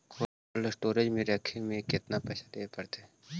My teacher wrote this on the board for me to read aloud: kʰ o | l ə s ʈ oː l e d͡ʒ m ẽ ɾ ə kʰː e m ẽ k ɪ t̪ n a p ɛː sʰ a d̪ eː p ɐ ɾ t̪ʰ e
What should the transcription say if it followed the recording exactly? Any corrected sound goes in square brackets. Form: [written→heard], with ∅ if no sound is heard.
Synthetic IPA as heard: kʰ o | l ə s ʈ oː [l→ɾ] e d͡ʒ m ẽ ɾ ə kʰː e m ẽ k ɪ t̪ n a p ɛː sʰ a d̪ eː p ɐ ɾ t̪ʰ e